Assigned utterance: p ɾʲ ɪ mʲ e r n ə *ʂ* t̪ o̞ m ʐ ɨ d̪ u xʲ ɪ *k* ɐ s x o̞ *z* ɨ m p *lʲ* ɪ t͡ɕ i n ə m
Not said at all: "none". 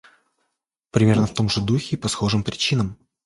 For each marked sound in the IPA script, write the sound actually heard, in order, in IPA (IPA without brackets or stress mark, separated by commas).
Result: f, p, ʐ, ɾʲ